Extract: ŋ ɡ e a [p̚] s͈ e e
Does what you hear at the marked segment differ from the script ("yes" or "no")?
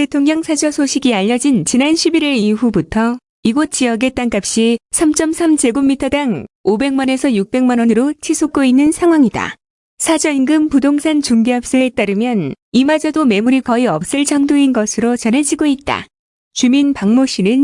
no